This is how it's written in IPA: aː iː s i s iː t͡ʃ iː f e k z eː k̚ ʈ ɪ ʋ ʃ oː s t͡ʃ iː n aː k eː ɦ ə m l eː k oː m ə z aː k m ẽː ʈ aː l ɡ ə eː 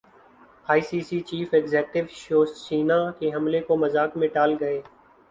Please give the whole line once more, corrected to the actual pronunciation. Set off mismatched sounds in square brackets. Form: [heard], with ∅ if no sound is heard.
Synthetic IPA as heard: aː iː s [iː] s iː t͡ʃ iː f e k z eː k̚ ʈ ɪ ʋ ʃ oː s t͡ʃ iː n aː k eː ɦ ə m l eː k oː m ə z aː k m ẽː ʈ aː l ɡ ə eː